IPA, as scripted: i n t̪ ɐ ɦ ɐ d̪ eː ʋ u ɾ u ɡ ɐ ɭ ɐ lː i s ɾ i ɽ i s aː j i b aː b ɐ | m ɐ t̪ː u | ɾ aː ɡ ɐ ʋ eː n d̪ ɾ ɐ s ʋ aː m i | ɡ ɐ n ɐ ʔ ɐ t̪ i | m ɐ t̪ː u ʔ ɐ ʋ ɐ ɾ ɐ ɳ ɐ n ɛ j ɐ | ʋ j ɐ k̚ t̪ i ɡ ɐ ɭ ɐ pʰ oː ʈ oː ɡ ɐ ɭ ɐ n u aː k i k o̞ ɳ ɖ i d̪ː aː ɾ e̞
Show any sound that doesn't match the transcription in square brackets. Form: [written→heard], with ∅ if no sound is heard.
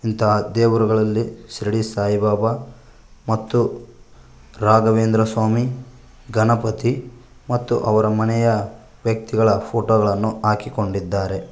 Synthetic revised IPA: i n t̪ ɐ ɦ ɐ d̪ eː ʋ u ɾ u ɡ ɐ ɭ ɐ lː i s ɾ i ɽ i s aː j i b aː b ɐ | m ɐ t̪ː u | ɾ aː ɡ ɐ ʋ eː n d̪ ɾ ɐ s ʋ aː m i | ɡ ɐ n ɐ [ʔ→p] ɐ t̪ i | m ɐ t̪ː u ʔ ɐ ʋ ɐ ɾ ɐ [ɳ→m] ɐ n ɛ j ɐ | ʋ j ɐ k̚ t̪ i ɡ ɐ ɭ ɐ pʰ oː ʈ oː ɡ ɐ ɭ ɐ [n→nː] u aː k i k o̞ ɳ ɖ i d̪ː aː ɾ e̞